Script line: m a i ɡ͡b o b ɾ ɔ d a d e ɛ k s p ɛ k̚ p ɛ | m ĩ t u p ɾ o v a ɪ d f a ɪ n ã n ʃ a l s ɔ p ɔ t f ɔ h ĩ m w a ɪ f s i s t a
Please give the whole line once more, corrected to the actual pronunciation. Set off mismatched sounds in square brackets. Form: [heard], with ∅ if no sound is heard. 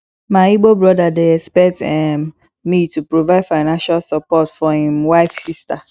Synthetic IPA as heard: m a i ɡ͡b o b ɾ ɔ d a d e ɛ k s p ɛ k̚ [t] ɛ | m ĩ t u p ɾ o v a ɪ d f a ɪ n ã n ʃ a l s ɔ p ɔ t f ɔ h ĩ m w a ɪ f s i s t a